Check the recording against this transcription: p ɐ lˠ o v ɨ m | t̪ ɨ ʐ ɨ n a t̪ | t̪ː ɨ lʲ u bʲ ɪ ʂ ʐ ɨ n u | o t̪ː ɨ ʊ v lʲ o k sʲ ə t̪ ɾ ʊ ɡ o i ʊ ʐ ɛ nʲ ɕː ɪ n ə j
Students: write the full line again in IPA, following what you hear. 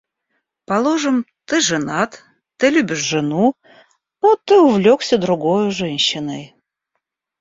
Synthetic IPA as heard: p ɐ lˠ o ʐ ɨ m | t̪ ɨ ʐ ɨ n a t̪ | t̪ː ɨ lʲ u bʲ ɪ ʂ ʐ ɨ n u | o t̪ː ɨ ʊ v lʲ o k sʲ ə d̪ ɾ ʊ ɡ o j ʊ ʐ ɛ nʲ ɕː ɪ n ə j